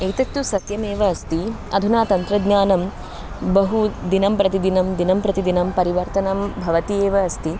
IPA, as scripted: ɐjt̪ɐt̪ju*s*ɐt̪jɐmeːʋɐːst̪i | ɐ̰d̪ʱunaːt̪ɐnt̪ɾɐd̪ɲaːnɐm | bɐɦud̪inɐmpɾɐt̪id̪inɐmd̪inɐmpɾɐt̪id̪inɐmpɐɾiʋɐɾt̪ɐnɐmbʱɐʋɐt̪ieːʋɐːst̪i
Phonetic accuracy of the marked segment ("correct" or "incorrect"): correct